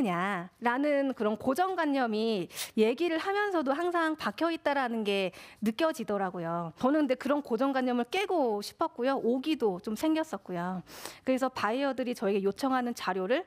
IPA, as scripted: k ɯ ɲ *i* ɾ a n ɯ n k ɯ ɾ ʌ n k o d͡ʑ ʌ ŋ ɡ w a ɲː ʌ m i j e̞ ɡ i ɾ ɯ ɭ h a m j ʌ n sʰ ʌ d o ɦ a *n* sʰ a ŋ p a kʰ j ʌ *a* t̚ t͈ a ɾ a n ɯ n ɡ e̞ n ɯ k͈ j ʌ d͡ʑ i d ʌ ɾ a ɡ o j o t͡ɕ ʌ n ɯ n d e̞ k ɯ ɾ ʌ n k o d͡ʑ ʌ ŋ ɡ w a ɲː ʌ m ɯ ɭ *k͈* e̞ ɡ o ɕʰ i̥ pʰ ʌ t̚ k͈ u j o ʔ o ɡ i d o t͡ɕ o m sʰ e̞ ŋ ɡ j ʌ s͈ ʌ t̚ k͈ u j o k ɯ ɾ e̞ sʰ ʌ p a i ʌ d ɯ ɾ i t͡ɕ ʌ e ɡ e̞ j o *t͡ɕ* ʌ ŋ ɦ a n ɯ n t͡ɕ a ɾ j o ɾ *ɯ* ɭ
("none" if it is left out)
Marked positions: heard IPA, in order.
a, ŋ, i, k͈, t͡ɕʰ, ɯ

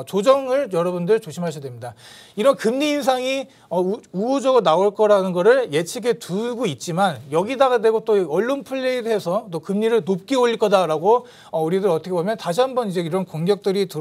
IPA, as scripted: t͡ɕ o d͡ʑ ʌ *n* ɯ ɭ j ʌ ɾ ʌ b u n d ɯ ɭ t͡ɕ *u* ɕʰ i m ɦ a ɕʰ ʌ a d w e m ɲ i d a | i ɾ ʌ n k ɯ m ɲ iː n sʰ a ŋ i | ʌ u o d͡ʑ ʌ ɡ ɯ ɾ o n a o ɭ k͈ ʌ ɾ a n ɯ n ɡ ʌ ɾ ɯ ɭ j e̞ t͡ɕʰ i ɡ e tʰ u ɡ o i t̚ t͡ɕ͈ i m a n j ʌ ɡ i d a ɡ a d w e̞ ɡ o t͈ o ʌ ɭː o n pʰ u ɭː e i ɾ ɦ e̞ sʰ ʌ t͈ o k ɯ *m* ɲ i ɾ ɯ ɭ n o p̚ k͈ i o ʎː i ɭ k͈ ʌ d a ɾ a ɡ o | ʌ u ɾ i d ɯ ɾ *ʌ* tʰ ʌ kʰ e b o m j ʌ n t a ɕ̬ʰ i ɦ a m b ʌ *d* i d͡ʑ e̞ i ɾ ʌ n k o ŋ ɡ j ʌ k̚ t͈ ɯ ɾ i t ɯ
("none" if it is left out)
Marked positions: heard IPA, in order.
ŋ, o, m, ʌ, n

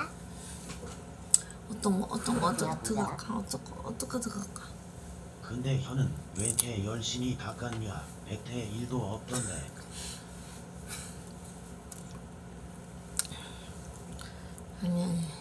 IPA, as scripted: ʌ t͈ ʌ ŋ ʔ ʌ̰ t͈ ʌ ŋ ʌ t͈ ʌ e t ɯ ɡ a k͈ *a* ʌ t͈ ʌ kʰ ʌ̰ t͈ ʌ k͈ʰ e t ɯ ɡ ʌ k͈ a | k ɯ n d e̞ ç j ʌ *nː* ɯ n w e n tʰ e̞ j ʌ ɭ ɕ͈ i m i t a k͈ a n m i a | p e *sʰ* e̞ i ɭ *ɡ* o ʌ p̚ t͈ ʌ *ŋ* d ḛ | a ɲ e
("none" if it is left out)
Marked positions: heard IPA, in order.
a, n, tʰ, d, n

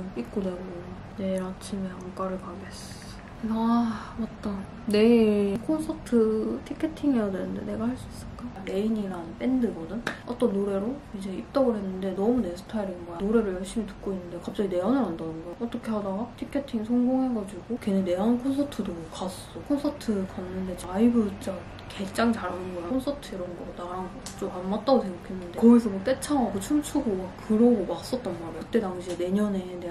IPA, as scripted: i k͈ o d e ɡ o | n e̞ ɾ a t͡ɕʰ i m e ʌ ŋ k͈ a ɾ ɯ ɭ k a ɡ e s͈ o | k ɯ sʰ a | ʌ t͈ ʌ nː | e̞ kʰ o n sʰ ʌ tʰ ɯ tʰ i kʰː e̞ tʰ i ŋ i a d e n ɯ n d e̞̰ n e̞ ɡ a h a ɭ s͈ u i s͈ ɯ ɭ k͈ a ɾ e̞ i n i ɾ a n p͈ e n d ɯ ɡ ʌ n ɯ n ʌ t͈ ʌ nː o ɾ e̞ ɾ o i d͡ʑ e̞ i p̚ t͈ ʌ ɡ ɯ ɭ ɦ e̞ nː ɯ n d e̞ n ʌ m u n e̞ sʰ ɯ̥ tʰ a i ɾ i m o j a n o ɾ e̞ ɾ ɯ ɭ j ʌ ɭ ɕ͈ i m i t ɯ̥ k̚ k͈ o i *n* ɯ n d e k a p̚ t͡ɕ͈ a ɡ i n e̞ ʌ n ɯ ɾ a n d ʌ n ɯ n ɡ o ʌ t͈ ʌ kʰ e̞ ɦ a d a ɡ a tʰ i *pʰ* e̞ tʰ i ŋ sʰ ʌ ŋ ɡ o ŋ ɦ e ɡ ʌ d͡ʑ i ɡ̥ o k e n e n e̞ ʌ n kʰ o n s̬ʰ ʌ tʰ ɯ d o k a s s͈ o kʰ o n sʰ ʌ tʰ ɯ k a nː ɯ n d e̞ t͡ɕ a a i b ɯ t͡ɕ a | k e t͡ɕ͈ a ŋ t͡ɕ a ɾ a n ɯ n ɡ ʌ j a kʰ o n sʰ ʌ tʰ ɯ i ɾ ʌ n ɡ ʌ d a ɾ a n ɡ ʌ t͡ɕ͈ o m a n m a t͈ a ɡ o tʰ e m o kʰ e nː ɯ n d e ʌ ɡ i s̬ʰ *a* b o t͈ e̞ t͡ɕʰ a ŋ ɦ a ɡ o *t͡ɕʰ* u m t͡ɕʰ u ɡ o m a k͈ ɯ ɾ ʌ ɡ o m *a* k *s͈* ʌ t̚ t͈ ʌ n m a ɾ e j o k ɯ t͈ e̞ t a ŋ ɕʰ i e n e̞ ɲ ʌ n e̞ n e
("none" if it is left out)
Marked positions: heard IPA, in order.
nː, kʰ, ʌ, t͡ɕʰ, a, s͈

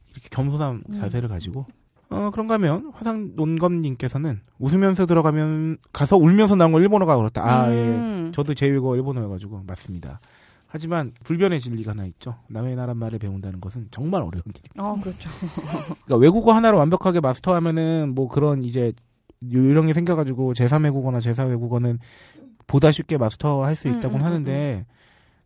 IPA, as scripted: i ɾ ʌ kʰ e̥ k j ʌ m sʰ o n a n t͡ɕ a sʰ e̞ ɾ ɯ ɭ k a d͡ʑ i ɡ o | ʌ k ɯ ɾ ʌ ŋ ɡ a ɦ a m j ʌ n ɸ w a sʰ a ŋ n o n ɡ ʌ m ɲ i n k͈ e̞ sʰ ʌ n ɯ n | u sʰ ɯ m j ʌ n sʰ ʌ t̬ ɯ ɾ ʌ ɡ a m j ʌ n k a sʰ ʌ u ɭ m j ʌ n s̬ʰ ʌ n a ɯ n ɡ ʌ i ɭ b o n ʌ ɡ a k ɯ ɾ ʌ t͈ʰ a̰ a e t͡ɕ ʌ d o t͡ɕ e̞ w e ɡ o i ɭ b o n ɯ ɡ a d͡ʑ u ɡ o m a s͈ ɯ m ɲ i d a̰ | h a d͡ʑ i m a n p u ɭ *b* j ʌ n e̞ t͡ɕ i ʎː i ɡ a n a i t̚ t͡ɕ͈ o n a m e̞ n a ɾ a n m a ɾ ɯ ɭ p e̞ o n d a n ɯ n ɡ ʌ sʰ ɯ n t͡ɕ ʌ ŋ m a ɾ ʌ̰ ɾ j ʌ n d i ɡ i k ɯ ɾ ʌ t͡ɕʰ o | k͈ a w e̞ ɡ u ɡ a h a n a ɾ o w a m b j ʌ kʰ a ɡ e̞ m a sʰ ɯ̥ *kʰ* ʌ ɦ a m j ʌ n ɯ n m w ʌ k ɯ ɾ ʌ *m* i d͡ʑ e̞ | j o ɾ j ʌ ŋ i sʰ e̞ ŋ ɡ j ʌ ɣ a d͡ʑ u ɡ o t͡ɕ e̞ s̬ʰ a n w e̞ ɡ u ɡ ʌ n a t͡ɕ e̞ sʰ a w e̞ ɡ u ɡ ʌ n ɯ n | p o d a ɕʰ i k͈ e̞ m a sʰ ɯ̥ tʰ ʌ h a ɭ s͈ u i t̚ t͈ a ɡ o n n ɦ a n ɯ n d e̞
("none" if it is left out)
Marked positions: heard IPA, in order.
b, tʰ, n

